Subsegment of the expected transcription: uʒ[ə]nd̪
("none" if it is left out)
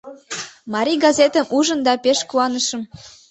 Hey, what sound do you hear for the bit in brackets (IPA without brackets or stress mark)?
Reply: ə